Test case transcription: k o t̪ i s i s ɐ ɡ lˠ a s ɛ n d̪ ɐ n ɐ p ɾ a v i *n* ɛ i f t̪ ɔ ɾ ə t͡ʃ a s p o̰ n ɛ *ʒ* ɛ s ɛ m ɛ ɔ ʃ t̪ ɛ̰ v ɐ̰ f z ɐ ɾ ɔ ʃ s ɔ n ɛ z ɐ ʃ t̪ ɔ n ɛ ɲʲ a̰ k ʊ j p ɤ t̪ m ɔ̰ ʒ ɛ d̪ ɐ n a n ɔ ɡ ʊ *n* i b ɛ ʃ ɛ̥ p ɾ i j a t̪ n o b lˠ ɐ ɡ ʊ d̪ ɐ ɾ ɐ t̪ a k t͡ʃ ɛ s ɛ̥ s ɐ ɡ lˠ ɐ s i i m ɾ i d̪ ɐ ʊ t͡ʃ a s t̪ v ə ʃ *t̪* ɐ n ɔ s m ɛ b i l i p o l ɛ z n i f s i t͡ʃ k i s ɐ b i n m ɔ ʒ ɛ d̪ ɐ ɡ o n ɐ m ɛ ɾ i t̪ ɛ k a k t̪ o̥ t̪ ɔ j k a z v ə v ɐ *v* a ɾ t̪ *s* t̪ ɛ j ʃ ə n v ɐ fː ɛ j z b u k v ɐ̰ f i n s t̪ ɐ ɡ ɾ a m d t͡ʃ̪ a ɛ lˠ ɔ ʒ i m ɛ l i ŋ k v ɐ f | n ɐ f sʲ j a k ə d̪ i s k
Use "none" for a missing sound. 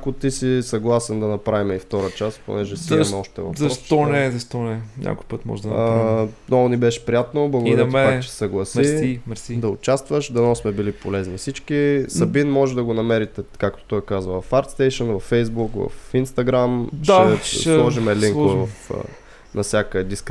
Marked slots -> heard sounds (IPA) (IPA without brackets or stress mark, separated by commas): m, ʒ, n, d̪, f, s